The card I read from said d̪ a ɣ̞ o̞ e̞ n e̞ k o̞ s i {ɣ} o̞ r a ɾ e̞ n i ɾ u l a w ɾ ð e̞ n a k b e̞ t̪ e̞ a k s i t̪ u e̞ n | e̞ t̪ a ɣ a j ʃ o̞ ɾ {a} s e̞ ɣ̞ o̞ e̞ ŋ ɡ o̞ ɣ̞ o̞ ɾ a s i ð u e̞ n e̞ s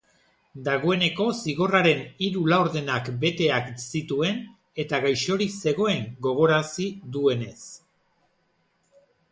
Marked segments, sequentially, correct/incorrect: correct, incorrect: i

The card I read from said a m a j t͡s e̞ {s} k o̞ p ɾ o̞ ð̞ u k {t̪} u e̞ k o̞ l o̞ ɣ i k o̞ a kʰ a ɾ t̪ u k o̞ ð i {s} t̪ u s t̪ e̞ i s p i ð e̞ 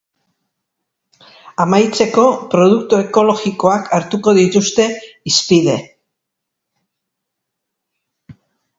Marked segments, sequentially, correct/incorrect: incorrect: none, correct, incorrect: none

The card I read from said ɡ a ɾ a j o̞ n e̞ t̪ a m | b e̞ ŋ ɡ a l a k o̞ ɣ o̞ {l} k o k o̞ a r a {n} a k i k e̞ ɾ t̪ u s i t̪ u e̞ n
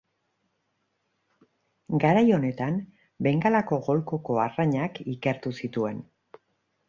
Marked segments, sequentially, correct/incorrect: correct, incorrect: ɲ

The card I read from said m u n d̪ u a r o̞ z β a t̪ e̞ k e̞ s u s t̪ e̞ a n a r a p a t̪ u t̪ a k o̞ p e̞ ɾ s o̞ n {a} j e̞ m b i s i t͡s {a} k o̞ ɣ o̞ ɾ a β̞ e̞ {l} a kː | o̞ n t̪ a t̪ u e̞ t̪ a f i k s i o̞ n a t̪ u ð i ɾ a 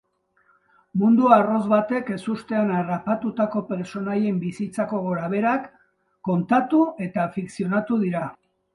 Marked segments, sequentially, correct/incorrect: correct, correct, incorrect: ɾ

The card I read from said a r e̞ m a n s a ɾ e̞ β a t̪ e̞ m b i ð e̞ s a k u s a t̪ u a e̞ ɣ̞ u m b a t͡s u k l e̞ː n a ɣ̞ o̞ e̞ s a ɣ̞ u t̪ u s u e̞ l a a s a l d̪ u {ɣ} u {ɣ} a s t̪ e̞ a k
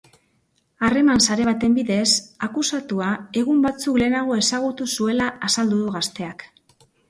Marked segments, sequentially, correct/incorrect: incorrect: ð, correct

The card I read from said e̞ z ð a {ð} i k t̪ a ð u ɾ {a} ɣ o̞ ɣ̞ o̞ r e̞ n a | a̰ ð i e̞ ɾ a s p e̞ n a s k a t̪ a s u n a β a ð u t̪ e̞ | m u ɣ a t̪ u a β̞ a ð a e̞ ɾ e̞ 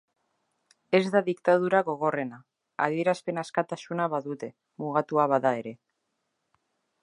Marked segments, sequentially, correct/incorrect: correct, correct

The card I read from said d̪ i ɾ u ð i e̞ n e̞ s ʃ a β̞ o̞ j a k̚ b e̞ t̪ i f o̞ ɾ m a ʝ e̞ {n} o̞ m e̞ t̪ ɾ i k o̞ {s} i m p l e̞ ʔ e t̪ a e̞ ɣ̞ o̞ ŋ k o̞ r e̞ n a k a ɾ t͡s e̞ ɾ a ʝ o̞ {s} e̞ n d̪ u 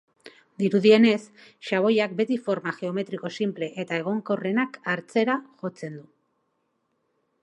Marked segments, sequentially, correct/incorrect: incorrect: none, correct, incorrect: t͡s

